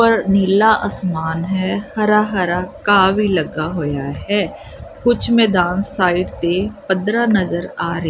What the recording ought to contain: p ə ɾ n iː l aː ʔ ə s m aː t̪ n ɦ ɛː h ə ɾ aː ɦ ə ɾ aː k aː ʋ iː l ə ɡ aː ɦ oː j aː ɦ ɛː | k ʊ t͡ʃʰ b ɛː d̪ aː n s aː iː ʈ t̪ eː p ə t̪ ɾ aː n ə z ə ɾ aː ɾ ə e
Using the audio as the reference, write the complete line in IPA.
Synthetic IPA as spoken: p ə ɾ n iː l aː ʔ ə s m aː n ɦ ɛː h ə ɾ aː ɦ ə ɾ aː k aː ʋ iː l ə ɡ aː ɦ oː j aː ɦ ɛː | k ʊ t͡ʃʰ m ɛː d̪ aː n s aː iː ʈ t̪ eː p ə d̪ ɾ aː n ə z ə ɾ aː ɾ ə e

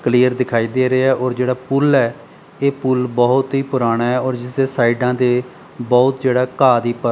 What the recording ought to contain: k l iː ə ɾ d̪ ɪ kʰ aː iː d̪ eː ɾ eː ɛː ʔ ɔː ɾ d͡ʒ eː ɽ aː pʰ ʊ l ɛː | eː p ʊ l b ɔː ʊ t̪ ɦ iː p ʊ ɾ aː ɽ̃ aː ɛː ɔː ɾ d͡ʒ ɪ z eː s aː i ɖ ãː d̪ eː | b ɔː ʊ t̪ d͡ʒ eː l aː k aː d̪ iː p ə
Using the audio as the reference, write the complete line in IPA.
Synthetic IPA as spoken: k l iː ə ɾ d̪ ɪ kʰ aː iː d̪ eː ɾ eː ɛː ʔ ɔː ɾ d͡ʒ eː ɽ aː p ʊ l ɛː | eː p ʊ l b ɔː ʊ t̪ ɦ iː p ʊ ɾ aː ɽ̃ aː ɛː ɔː ɾ d͡ʒ ɪ s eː s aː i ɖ ãː d̪ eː | b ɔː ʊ t̪ d͡ʒ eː ɽ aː k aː d̪ iː p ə

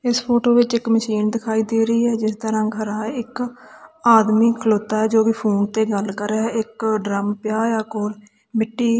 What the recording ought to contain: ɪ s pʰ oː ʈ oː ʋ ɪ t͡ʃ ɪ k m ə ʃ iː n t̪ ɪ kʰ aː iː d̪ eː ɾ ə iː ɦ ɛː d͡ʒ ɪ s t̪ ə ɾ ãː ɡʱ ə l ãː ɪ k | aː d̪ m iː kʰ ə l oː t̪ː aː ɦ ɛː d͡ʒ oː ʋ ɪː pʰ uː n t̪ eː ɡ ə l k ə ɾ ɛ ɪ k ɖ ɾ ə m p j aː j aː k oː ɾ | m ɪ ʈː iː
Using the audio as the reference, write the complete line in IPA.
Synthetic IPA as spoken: ɪ s pʰ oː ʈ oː ʋ ɪ t͡ʃ ɪ k m ə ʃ iː n d̪ ɪ kʰ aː iː d̪ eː ɾ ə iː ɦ ɛː d͡ʒ ɪ s t̪ ə ɾ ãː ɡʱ ə ɾ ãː ɪ k | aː d̪ m iː kʰ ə l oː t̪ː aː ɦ ɛː d͡ʒ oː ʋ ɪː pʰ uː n t̪ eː ɡ ə l k ə ɾ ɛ ɪ k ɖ ɾ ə m p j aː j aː k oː ɾ | m ɪ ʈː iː

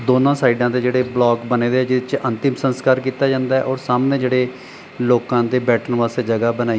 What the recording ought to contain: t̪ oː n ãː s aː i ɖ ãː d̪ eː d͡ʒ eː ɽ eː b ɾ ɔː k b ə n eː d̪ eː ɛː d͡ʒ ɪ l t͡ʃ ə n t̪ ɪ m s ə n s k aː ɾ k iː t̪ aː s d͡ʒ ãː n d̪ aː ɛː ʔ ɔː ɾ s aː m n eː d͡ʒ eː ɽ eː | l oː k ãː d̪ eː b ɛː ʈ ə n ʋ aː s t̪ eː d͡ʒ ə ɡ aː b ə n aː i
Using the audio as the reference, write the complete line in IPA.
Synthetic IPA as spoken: d̪ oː n ãː s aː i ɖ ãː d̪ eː d͡ʒ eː ɽ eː b l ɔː k b ə n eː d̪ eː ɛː d͡ʒ ɪ t͡ʃ ə n t̪ ɪ m s ə n s k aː ɾ k iː t̪ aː d͡ʒ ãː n d̪ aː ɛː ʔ ɔː ɾ s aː m n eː d͡ʒ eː ɽ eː | l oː k ãː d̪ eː b ɛː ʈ ə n ʋ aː s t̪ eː d͡ʒ ə ɡ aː b ə n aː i

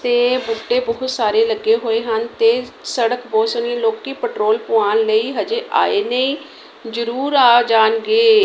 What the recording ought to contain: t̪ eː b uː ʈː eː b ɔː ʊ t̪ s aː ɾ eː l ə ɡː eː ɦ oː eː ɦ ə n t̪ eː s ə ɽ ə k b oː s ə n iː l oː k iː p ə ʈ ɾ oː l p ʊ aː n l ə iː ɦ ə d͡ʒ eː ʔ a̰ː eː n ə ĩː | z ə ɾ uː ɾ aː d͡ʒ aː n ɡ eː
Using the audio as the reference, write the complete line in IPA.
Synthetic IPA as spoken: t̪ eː b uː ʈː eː b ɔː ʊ t̪ s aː ɾ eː l ə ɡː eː ɦ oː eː ɦ ə n t̪ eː s ə ɽ ə k b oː s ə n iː l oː k iː p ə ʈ ɾ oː l p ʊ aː n l ə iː ɦ ə d͡ʒ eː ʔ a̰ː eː n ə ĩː | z ə ɾ uː ɾ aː d͡ʒ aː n ɡ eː

